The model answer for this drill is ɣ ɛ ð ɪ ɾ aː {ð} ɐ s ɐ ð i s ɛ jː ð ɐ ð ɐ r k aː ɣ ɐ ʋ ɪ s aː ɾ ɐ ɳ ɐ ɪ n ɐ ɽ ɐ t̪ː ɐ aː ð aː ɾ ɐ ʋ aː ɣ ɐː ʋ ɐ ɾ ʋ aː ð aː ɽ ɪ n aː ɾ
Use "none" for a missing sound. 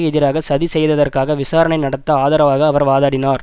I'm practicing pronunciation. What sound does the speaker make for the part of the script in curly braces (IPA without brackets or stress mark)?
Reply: ɣ